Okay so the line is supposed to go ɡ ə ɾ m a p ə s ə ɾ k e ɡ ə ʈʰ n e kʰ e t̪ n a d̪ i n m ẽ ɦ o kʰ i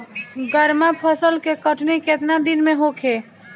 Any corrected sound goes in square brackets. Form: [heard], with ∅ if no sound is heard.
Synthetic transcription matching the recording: ɡ ə ɾ m a [pʰ] ə s ə [l] k e [k] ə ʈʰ n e [k] e t̪ n a d̪ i n m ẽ ɦ o kʰ [e]